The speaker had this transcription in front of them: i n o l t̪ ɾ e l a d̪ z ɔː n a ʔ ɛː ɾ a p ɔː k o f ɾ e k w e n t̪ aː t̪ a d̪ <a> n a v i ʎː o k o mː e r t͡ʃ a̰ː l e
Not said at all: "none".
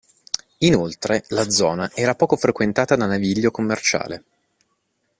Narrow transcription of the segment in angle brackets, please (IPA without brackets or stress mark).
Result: a